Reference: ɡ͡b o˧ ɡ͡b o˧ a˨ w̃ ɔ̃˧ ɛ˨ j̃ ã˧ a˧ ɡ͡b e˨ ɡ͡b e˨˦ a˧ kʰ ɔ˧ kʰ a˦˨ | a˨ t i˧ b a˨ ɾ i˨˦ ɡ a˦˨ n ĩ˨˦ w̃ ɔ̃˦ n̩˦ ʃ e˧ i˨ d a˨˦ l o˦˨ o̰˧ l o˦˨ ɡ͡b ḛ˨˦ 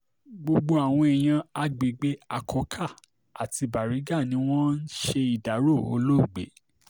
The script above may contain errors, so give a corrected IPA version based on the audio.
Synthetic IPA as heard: ɡ͡b o˧ ɡ͡b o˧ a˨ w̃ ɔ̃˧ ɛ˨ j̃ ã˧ a˧ ɡ͡b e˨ ɡ͡b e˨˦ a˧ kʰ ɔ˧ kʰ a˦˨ | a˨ t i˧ b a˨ ɾ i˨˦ ɡ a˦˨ n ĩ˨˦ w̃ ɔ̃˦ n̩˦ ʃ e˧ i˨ d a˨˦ ɾ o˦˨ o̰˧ l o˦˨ ɡ͡b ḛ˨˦

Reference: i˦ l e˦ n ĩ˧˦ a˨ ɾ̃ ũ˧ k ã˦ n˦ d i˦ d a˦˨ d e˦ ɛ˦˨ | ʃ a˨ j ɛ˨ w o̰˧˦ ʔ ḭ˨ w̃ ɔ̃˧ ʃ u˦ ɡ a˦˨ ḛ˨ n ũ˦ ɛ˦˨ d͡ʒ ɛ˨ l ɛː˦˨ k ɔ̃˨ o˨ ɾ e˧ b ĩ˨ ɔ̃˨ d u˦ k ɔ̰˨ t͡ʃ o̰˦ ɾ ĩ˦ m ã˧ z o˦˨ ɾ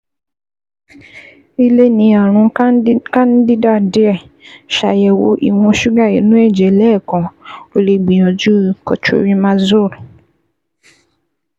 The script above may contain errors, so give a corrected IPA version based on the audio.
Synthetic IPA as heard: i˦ l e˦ n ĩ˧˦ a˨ ɾ̃ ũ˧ k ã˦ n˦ d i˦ d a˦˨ d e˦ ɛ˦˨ | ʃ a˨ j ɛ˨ w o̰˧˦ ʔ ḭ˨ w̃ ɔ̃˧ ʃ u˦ ɡ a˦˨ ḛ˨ n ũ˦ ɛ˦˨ d͡ʒ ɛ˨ l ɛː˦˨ k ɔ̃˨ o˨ l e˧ ɡ͡b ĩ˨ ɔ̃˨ d͡ʒ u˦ k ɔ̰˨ t͡ʃ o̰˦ ɾ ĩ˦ m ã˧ z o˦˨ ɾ

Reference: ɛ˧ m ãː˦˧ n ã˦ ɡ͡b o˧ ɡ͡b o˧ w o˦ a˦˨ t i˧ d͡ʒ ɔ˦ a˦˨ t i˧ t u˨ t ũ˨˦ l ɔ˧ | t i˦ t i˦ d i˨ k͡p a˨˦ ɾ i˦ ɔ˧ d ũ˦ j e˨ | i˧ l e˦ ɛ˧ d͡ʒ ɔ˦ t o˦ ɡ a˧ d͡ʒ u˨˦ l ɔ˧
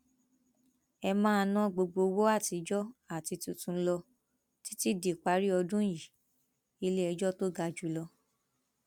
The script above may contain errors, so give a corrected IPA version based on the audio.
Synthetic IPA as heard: ɛ˧ m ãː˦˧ n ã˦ ɡ͡b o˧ ɡ͡b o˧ w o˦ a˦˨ t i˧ d͡ʒ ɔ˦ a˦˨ t i˧ t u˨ t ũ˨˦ l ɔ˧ | t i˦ t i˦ d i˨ k͡p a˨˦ ɾ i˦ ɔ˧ d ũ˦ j i˨ | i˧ l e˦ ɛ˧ d͡ʒ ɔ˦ t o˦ ɡ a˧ d͡ʒ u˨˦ l ɔ˧

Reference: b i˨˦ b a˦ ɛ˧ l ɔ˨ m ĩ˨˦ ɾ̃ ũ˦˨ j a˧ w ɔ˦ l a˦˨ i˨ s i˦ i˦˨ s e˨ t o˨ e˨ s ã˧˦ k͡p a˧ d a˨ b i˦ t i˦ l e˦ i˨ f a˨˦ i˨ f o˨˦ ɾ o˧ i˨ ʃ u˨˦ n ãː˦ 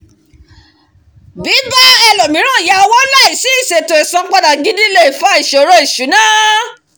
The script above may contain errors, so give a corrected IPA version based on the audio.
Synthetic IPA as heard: b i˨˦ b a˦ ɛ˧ l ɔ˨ m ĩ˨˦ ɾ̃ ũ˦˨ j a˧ w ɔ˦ l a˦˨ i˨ s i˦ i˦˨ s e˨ t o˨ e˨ s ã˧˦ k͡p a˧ d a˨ ɡ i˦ d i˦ l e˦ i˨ f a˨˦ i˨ ʃ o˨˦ ɾ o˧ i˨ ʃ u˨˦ n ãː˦

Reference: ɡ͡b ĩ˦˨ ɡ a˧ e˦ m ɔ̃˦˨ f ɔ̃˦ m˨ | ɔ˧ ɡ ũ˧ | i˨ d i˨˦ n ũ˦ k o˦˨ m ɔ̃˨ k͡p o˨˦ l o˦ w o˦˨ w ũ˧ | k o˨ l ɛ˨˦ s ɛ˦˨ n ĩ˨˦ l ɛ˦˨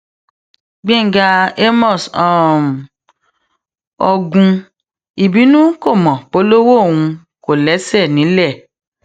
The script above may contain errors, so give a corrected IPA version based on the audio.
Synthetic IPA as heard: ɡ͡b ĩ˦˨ ɡ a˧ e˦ m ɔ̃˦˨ s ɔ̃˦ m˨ | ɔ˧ ɡ ũ˧ | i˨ b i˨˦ n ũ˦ k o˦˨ m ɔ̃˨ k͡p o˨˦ l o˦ w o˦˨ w ũ˧ | k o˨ l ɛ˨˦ s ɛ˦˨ n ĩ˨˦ l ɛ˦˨

